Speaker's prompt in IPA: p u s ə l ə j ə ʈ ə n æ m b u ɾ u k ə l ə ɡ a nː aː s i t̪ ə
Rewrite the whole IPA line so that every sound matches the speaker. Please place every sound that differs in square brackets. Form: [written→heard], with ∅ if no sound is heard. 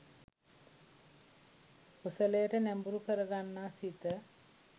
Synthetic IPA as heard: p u s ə l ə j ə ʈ ə n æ m b u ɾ u k ə [l→ɾ] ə ɡ a nː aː s i t̪ ə